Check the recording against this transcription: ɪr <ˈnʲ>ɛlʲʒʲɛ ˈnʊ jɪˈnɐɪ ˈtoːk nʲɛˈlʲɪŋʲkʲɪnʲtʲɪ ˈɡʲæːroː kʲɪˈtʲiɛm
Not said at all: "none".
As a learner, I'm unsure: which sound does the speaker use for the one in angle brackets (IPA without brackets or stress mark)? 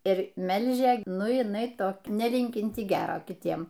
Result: mʲ